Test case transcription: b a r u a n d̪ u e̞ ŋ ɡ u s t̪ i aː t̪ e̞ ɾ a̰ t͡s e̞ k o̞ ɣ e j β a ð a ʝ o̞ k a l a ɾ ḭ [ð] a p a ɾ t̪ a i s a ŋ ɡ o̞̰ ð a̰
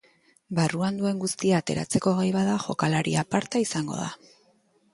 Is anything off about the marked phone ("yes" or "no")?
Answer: yes